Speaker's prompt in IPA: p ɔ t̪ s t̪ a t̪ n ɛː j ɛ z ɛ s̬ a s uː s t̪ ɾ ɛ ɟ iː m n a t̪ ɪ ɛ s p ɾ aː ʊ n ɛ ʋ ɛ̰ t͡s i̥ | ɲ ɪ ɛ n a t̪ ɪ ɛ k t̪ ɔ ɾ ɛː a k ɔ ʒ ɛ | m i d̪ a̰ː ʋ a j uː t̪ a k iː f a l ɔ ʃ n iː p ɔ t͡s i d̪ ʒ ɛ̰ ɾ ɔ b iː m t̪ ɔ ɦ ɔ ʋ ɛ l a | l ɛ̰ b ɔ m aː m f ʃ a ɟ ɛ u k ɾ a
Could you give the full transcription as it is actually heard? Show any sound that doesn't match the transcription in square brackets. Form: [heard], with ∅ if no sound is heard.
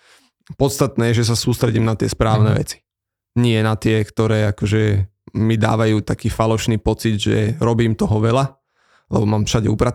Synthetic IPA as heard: p ɔ t̪ s t̪ a t̪ n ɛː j ɛ [ʒ] ɛ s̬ a s uː s t̪ ɾ ɛ ɟ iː m n a t̪ ɪ ɛ s p ɾ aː ʊ n ɛ ʋ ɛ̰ t͡s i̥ | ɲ ɪ ɛ n a t̪ ɪ ɛ k t̪ ɔ ɾ ɛː a k ɔ ʒ ɛ | m i d̪ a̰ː ʋ a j uː t̪ a k iː f a l ɔ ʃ n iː p ɔ t͡s i d̪ ʒ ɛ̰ ɾ ɔ b iː m t̪ ɔ ɦ ɔ ʋ ɛ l a | l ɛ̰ b ɔ m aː m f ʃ a ɟ ɛ u [p] ɾ a